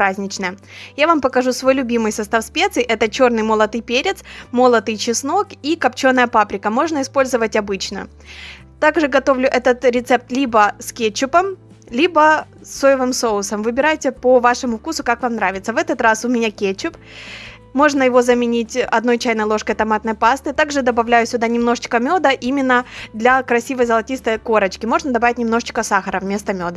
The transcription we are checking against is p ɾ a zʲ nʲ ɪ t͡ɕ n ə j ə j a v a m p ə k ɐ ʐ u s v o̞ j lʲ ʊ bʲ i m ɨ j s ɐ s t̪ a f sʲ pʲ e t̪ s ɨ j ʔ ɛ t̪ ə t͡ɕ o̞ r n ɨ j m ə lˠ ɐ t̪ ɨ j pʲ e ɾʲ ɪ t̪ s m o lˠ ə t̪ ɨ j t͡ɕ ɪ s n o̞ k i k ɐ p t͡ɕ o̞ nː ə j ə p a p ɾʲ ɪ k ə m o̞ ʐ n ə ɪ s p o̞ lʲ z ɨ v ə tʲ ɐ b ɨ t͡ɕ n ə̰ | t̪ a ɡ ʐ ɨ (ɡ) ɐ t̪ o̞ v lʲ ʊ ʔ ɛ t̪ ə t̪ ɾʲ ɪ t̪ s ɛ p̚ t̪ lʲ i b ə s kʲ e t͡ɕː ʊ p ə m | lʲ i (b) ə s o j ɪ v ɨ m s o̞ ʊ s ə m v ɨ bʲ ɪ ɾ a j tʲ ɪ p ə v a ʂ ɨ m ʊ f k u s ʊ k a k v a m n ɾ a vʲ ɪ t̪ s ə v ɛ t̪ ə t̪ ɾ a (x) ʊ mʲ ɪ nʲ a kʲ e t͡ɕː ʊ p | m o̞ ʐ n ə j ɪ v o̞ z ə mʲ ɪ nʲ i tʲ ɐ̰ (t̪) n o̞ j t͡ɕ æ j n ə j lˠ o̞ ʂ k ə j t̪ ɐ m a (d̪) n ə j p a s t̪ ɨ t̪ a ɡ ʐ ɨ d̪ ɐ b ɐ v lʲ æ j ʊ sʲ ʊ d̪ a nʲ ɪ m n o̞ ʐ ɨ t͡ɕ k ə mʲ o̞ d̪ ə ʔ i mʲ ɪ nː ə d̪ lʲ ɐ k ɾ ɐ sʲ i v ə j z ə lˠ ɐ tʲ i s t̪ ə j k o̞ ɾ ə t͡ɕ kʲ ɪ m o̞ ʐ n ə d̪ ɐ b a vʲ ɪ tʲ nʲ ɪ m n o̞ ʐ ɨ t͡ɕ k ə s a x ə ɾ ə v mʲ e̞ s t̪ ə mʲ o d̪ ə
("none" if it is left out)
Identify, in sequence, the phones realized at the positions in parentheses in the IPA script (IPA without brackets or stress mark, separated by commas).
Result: ɡ, b, s, d̪, t̪